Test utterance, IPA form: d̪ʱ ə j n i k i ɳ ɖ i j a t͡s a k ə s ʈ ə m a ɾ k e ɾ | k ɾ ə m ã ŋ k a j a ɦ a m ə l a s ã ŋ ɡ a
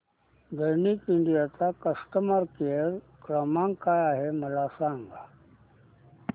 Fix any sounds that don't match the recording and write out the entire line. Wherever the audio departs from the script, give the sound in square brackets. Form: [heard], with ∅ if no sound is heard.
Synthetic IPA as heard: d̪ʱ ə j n i k i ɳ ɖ i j a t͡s a k ə s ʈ ə m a ɾ k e ɾ | k ɾ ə m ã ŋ k a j a ɦ [e] m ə l a s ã ŋ ɡ a